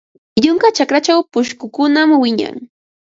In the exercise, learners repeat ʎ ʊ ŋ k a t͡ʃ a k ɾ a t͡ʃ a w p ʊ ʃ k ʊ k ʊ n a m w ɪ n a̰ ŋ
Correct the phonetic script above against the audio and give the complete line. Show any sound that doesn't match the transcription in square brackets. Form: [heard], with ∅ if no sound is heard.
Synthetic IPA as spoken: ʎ ʊ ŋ k a t͡ʃ a k ɾ a t͡ʃ a w p ʊ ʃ k ʊ k ʊ n a m w ɪ [ɲ] a̰ ŋ